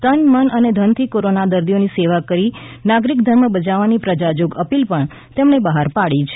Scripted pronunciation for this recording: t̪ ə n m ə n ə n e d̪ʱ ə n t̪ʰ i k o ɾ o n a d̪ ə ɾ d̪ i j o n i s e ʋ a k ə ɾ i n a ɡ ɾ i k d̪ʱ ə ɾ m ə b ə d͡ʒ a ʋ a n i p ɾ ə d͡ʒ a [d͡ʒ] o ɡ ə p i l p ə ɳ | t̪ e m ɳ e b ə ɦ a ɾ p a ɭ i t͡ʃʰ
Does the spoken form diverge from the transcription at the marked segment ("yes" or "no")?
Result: no